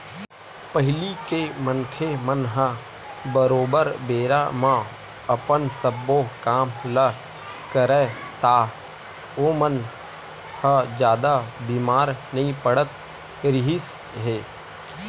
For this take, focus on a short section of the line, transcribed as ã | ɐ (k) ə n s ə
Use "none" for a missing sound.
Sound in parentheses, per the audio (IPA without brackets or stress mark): p